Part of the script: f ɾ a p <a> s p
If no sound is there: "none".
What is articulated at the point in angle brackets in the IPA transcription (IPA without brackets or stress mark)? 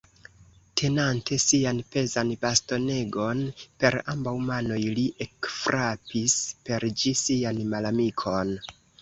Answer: i